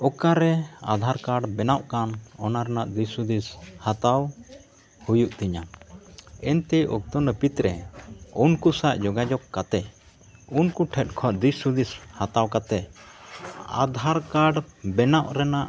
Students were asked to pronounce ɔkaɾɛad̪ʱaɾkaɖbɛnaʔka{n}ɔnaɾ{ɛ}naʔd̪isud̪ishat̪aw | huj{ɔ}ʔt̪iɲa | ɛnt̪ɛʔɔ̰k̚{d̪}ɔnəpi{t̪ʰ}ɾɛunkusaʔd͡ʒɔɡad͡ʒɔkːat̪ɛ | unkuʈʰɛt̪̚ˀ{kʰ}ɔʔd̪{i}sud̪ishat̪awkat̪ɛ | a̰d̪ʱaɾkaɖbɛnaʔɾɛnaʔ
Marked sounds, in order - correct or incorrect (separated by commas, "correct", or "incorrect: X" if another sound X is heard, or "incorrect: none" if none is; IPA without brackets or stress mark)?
correct, correct, incorrect: u, incorrect: t̪, incorrect: t̪, correct, correct